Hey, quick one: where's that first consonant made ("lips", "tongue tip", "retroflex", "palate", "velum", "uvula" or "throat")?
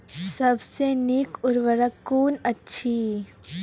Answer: tongue tip